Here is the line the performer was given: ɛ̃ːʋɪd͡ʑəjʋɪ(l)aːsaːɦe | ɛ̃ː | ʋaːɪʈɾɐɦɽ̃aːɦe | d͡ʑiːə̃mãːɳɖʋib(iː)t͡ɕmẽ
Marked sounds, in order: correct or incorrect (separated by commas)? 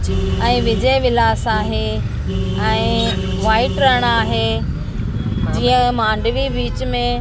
correct, correct